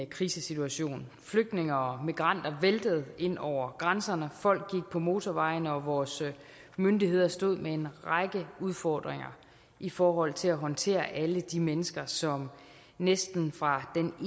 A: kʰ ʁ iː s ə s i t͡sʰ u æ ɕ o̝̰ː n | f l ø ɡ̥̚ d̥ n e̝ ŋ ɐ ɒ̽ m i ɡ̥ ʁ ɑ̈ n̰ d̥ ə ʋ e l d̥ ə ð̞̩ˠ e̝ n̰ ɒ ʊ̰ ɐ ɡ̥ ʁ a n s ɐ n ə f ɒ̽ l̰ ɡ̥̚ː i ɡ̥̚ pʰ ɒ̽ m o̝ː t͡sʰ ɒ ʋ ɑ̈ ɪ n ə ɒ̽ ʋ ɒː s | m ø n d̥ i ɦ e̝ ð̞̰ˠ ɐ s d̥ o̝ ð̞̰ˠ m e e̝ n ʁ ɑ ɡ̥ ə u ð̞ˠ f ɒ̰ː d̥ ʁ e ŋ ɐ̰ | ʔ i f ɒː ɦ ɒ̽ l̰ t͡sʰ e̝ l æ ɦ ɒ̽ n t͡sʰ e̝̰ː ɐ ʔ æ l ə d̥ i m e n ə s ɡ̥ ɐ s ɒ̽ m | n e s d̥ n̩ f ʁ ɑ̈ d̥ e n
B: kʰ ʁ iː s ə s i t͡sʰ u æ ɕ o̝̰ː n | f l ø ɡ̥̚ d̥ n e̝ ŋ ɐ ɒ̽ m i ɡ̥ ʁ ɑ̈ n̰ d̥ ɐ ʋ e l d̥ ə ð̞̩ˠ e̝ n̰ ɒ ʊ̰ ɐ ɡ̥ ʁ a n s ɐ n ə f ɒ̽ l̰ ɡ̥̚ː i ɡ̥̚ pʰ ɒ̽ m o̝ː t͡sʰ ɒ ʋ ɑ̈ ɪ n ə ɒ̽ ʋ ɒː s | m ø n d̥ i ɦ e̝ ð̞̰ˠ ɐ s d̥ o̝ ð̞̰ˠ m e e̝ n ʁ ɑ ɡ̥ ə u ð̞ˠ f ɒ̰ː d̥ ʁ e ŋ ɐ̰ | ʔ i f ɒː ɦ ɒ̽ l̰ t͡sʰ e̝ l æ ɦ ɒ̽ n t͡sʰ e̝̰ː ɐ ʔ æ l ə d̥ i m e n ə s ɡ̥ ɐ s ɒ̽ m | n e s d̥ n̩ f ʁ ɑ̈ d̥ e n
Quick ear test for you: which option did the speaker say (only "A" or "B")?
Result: B